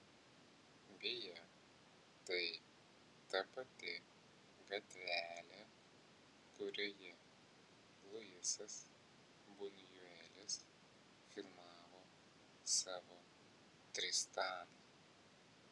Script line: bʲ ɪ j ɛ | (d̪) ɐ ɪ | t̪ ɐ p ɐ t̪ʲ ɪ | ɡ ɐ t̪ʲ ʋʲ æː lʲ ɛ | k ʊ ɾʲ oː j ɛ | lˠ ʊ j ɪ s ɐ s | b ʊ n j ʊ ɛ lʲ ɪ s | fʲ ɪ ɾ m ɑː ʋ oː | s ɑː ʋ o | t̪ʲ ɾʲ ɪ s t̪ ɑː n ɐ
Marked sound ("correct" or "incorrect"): incorrect